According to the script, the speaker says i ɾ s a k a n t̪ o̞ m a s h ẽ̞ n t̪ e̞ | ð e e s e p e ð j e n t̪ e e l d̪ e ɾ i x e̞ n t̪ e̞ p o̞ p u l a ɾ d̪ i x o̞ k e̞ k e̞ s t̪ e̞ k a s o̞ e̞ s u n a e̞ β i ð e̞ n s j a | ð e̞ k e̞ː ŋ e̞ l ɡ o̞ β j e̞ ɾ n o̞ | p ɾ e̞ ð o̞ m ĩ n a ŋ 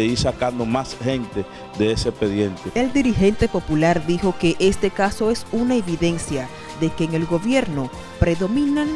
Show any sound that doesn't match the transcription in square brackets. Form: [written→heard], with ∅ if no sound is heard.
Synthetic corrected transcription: i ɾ s a k a n [t̪→d̪] o̞ m a s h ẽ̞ n t̪ e̞ | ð e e s e p e ð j e n t̪ e e l d̪ [e→i] ɾ i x e̞ n t̪ e̞ p o̞ p u l a ɾ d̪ i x o̞ k e̞ [k→ʔ] e̞ s t̪ e̞ k a s o̞ e̞ s u n a e̞ β i ð e̞ n s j a | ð e̞ k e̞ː ŋ e̞ l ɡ o̞ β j e̞ ɾ n o̞ | p ɾ e̞ ð o̞ m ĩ n a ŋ